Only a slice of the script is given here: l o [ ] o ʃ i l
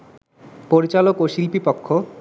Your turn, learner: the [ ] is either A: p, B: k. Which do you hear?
B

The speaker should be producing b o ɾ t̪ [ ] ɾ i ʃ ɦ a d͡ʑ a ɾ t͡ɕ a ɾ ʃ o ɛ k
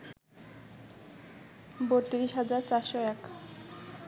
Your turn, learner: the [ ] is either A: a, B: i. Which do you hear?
B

